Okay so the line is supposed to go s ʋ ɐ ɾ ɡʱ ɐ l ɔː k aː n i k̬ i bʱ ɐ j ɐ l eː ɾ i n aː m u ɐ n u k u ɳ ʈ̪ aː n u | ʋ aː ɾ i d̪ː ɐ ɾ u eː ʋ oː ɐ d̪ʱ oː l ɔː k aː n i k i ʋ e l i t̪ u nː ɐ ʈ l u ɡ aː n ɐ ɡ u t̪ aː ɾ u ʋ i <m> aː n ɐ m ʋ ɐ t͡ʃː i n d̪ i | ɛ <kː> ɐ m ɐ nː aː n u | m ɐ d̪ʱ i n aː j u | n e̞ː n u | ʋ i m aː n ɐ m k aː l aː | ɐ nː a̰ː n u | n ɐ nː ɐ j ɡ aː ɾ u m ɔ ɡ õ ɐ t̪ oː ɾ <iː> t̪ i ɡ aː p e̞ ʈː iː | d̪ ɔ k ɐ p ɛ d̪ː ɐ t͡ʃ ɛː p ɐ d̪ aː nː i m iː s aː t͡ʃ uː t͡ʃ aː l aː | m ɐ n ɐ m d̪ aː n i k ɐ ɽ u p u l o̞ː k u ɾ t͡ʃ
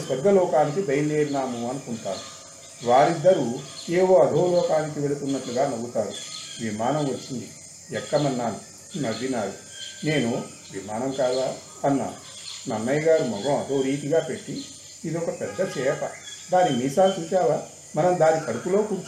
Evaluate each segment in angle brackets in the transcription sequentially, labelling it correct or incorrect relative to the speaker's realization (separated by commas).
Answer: correct, correct, correct